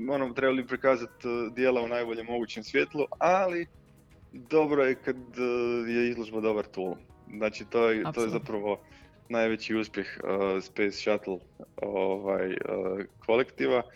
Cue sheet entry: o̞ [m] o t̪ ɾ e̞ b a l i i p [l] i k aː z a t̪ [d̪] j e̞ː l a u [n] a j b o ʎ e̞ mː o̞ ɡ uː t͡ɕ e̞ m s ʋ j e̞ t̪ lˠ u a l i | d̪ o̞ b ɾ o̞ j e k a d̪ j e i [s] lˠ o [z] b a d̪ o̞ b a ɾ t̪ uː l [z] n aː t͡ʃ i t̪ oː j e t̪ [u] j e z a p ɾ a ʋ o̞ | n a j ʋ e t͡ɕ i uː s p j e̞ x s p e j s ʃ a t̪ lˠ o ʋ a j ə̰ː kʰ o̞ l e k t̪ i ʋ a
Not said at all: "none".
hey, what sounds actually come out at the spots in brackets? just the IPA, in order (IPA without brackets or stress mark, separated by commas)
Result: n, ɾ, d̪, n, z, ʒ, z, o